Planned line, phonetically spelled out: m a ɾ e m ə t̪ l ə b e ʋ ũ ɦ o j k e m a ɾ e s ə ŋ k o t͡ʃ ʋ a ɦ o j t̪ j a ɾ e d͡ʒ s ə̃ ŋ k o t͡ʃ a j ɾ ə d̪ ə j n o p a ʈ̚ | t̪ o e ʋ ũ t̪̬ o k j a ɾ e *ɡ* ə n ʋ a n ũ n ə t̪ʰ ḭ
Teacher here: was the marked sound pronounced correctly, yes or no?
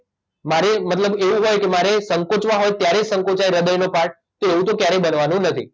no